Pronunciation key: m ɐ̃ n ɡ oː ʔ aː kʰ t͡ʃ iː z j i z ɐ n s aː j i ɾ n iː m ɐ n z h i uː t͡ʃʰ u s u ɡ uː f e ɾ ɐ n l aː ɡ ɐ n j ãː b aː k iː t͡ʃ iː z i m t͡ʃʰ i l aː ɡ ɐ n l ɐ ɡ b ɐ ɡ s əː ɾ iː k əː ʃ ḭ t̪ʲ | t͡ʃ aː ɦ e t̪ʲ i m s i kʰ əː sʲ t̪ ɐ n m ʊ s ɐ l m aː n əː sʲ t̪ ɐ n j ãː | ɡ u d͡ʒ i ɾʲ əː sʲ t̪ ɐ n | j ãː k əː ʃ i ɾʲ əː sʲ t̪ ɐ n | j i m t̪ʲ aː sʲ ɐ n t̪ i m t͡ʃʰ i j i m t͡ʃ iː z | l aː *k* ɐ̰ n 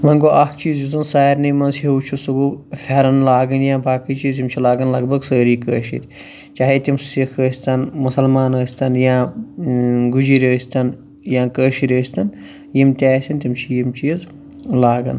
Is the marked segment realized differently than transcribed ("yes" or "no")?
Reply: yes